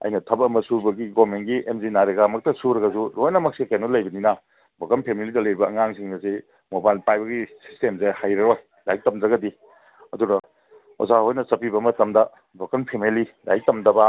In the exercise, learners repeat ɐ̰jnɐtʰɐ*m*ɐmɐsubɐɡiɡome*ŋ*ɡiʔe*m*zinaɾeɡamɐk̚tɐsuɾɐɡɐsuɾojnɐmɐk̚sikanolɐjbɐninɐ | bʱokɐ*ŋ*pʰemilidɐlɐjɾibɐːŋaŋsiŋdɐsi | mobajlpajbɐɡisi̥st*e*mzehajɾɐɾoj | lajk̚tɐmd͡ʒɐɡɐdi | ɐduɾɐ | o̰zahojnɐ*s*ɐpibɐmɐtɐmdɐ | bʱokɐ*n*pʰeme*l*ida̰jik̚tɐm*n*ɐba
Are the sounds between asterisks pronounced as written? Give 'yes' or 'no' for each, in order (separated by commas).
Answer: no, no, yes, no, yes, yes, yes, yes, no